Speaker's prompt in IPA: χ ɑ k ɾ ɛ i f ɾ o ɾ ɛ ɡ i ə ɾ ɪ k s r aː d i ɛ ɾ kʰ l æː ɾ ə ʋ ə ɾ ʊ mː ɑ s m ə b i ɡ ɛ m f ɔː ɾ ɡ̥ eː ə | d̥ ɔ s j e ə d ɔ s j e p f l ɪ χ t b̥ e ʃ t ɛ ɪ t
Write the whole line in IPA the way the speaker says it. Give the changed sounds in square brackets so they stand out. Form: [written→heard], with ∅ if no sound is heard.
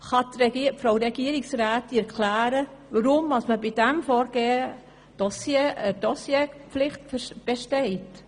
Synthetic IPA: χ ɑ [k→t] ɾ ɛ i f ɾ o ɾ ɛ ɡ i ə ɾ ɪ k s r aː [d→t] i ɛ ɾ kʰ l æː ɾ ə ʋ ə ɾ ʊ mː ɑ s m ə b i [ɡ→d] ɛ m f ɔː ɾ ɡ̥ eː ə | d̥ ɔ s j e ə d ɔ s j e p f l ɪ χ t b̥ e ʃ t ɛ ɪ t

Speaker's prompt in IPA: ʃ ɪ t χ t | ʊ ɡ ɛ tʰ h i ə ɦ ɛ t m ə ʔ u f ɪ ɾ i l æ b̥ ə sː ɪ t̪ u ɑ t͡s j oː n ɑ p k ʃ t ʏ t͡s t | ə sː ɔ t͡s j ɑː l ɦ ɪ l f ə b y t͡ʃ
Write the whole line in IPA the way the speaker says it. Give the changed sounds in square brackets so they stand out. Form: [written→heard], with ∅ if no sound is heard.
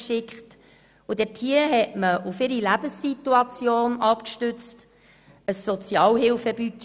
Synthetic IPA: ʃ ɪ [t→k] χ t | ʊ [ɡ→d] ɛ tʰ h i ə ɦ ɛ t m ə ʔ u f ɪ ɾ i l æ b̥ ə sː [ɪ→i] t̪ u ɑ t͡s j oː n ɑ p k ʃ t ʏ t͡s t | ə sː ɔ t͡s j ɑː l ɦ ɪ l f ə b y t͡ʃ

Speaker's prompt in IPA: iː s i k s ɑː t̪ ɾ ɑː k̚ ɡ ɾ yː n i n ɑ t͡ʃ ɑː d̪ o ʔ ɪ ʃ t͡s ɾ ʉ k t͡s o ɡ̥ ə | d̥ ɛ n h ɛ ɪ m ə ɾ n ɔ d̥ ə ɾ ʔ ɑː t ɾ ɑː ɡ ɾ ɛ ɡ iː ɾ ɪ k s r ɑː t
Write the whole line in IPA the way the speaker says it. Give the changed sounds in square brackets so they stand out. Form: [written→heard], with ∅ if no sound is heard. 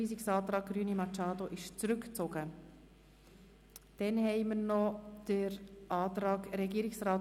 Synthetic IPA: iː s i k s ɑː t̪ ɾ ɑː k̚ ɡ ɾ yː n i [n→m] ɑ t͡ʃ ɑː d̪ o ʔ ɪ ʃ t͡s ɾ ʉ k t͡s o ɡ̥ ə | d̥ ɛ n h ɛ ɪ m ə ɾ n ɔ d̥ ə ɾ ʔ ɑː t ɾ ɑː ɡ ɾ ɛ ɡ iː ɾ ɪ k s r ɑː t

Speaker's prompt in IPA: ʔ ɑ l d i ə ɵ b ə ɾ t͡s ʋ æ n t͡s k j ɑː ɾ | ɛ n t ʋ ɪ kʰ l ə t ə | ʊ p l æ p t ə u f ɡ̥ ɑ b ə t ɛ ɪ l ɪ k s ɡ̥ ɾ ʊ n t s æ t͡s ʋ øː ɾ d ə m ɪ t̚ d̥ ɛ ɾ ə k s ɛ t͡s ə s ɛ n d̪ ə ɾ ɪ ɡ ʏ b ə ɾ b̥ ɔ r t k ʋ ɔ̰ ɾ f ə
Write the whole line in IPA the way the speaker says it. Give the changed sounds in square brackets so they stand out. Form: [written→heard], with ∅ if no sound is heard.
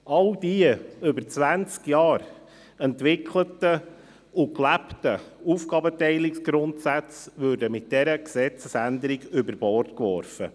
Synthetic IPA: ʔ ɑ l d i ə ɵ b ə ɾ t͡s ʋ æ n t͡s k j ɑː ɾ | ɛ n t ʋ ɪ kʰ l ə t ə | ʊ [p→k] l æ p t ə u f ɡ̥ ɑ b ə t ɛ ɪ l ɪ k s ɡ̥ ɾ ʊ n t s æ t͡s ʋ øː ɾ d ə m ɪ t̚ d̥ ɛ ɾ ə k s ɛ t͡s ə s [ɛ→æ] n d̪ ə ɾ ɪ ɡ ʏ b ə ɾ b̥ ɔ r t k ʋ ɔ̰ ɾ f ə

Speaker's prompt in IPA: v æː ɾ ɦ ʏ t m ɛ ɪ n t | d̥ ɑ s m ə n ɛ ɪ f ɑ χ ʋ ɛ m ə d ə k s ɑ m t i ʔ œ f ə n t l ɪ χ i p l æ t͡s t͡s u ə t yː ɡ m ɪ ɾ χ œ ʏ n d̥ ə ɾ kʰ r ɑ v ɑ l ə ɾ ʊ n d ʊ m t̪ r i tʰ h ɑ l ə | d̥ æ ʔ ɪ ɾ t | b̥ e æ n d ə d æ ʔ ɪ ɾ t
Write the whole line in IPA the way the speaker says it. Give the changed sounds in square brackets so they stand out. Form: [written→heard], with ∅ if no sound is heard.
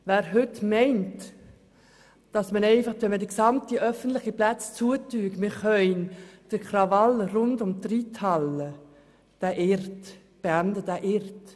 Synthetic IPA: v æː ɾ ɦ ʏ t m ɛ ɪ n t | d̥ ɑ s m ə n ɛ ɪ f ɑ χ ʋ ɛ m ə d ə k s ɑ m t i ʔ œ f ə n t l ɪ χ i p l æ t͡s t͡s u ə t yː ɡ m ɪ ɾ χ œ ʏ n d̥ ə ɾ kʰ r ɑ v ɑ l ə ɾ ʊ n d ʊ m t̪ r i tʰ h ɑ l ə | d̥ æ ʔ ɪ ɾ t | b̥ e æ n d ə d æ ʔ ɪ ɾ t

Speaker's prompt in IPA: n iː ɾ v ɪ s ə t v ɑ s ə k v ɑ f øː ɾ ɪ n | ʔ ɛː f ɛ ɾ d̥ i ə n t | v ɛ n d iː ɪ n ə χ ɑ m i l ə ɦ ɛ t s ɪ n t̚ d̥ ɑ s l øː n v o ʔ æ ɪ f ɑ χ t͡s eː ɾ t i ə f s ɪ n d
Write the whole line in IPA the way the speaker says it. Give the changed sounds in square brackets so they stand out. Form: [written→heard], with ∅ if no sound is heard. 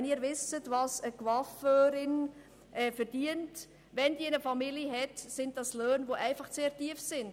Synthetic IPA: n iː ɾ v ɪ s ə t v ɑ s ə k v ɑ f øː ɾ ɪ n | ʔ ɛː f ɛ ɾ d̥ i ə n t | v ɛ n d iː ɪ n ə [χ→f] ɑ m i l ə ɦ ɛ t s ɪ n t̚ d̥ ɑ s l øː n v o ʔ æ ɪ f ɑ χ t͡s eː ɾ t i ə f s ɪ n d

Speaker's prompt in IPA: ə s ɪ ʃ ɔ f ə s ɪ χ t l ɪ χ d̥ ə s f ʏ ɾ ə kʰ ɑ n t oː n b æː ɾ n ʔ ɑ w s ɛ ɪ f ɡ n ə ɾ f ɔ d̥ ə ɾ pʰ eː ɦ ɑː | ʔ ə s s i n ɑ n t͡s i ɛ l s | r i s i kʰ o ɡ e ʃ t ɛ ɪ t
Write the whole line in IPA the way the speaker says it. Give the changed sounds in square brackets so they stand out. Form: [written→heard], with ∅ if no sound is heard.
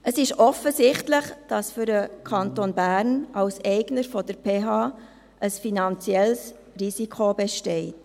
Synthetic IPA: ə s ɪ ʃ ɔ f ə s ɪ χ t l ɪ χ d̥ [ə→ɑ] s f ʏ ɾ ə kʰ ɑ n t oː n b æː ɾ n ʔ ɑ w s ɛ ɪ [f→∅] ɡ n ə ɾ f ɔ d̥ ə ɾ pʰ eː ɦ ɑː | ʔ ə s [s→f] i n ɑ n t͡s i ɛ l s | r i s i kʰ o [ɡ→b] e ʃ t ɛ ɪ t

